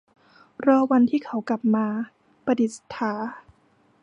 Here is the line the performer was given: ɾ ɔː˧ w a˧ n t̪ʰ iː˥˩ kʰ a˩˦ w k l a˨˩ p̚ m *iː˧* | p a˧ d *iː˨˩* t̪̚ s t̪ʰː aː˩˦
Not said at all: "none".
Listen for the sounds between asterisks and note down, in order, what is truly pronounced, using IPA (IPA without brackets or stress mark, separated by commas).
aː˧, i˨˩